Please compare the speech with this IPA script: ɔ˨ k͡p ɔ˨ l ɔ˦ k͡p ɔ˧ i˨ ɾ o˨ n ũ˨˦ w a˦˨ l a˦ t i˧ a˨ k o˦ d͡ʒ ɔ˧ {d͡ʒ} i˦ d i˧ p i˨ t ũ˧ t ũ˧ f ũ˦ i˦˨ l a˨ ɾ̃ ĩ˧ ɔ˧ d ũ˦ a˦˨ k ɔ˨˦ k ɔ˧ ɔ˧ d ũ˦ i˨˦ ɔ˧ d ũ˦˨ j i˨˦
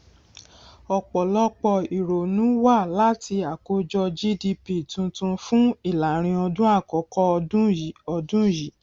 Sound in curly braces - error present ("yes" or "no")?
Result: no